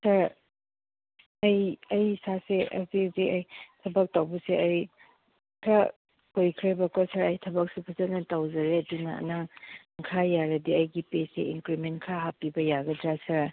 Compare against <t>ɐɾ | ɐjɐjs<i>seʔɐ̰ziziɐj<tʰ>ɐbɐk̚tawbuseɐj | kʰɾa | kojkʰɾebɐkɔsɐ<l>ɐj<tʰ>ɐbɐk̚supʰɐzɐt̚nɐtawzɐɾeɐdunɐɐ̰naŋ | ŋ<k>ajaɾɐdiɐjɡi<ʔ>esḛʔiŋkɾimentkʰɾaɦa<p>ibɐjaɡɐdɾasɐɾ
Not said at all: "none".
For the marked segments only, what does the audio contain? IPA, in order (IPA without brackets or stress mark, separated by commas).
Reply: s, a, tʰ, ɾ, tʰ, kʰ, p, p